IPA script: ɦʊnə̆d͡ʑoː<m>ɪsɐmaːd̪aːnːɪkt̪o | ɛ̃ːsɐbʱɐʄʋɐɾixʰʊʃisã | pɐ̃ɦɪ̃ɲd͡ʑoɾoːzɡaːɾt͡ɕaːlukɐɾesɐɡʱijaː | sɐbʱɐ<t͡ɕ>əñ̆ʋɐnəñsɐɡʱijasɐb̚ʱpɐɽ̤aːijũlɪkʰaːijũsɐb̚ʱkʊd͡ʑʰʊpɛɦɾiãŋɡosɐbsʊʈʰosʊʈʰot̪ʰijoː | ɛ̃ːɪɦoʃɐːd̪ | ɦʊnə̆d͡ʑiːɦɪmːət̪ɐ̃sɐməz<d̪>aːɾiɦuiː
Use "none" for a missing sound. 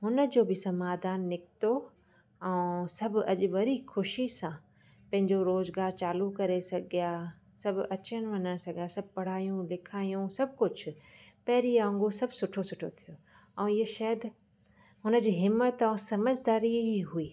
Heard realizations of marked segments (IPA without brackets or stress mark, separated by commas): b, t͡ɕ, d̪